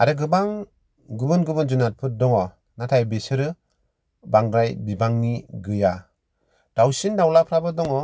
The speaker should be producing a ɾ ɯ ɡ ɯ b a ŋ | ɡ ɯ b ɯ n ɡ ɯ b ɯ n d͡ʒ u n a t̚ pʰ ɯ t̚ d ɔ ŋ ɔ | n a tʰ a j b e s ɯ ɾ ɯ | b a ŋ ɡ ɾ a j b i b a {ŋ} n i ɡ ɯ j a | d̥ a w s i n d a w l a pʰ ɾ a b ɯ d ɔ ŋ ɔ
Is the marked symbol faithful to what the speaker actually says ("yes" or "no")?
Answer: yes